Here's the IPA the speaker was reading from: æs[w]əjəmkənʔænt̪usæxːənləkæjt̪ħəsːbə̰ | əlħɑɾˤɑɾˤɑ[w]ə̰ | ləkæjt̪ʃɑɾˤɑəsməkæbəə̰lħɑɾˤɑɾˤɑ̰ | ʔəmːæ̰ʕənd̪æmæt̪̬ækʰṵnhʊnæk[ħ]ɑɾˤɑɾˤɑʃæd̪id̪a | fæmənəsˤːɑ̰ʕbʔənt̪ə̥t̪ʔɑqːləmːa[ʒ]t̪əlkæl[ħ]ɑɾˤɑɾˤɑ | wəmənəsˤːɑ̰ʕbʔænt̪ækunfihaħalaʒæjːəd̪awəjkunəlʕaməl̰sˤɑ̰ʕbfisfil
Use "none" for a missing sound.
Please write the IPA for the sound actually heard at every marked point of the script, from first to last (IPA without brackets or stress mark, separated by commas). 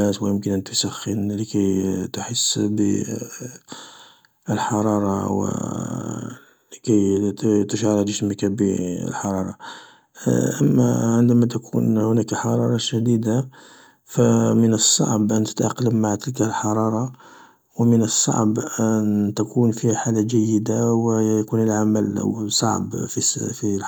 w, w, ħ, ʕ, ħ